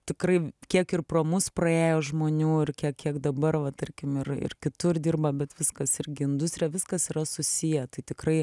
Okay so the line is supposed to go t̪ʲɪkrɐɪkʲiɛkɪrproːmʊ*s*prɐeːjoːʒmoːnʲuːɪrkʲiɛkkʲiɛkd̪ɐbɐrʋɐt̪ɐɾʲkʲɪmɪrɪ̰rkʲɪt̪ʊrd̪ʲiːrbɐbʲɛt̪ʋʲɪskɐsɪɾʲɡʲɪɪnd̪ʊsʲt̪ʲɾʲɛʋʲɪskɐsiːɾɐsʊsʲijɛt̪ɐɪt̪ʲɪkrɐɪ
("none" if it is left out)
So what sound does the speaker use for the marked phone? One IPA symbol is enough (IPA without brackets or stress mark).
s